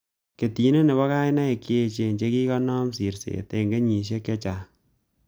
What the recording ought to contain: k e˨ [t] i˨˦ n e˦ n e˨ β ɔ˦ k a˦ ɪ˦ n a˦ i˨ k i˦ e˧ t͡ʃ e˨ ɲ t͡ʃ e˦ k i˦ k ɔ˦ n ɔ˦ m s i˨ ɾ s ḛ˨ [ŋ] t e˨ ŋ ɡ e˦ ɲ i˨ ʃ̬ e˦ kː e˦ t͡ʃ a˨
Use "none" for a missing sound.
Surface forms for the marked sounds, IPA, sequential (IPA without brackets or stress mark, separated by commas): t, none